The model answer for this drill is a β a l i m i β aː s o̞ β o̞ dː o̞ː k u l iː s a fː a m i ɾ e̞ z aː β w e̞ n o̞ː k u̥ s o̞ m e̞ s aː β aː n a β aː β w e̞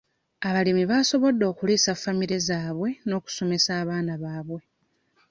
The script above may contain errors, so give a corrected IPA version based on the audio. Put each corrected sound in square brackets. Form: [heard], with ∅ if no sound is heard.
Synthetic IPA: a β a l i m i β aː s o̞ β o̞ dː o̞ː k u l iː s a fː a m i ɾ e̞ z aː β w e̞ n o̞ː k u̥ s o̞ m e̞ s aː β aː n a β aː β w e̞

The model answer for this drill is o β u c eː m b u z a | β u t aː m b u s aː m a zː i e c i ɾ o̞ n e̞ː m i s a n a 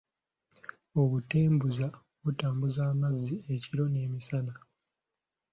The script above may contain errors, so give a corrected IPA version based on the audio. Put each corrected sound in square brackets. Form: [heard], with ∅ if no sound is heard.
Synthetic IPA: o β u [t] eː m b u z a | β u t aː m b u [z] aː m a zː i e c i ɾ o̞ n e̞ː m i s a n a

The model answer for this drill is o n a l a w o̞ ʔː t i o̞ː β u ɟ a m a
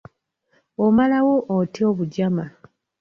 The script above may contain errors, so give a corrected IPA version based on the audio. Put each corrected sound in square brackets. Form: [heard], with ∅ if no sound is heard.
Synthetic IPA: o [m] a l a w o̞ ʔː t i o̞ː β u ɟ a m a

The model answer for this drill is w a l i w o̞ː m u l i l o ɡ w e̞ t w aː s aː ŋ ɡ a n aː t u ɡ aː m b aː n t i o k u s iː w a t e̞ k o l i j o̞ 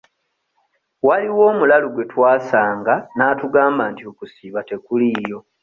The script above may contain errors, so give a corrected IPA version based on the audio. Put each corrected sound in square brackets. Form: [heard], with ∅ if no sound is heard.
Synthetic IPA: w a l i w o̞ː m u l [a] l [u] ɡ w e̞ t w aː s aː ŋ ɡ a n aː t u ɡ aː m b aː n t i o k u s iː [β] a t e̞ k [u] l i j o̞

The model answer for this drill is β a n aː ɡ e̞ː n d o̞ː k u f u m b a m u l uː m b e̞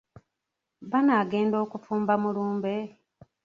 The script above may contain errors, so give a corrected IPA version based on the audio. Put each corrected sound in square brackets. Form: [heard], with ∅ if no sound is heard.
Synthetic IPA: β a n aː ɡ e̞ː n d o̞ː k u f [uː] m b a m u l uː m b e̞

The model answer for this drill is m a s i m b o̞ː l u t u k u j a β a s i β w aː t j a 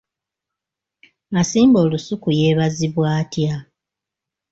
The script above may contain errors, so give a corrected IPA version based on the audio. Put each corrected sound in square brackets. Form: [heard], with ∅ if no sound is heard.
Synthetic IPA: m a s [iː] m b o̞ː l u [s] u k u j [e] β a [z] i β w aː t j a

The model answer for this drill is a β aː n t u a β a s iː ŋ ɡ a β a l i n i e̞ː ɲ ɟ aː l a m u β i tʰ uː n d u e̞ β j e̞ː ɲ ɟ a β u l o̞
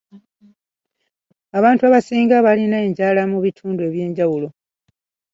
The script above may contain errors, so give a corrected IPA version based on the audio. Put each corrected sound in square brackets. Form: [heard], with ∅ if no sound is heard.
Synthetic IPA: a β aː n t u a β a s iː ŋ ɡ a β a l i n [a] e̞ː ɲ ɟ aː l a m u β i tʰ uː n d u e̞ β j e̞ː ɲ ɟ a [w] u l o̞

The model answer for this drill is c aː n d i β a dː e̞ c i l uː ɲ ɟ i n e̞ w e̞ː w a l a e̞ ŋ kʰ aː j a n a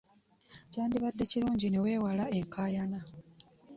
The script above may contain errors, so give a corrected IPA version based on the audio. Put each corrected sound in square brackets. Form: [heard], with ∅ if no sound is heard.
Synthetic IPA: c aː n d i β a dː e̞ c i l uː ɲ ɟ i n e̞ w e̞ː w a l a e̞ ŋ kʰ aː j a n a

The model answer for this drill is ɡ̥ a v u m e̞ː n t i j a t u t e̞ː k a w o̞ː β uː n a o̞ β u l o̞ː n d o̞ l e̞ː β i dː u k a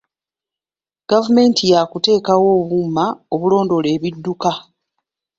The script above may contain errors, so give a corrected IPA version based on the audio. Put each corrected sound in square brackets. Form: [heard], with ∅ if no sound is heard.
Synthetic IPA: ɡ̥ a v u m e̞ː n t i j a [k] u t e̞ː k a w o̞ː β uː [m] a o̞ β u l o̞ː n d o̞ l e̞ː β i dː u k a

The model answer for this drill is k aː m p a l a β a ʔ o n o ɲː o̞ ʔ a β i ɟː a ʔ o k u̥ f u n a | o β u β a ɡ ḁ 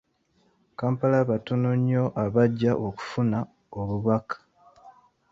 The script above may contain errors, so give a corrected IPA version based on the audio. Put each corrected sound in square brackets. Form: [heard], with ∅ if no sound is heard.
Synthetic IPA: k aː m p a l a β a [t] o n o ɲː o̞ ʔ a β [a] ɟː a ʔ o k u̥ f u n a | o β u β a [k] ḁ

